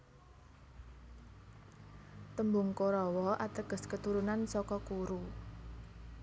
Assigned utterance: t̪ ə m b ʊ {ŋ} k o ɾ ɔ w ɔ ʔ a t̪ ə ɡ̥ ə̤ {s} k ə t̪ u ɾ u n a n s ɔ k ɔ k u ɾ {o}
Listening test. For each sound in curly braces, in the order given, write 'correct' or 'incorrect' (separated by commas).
correct, correct, incorrect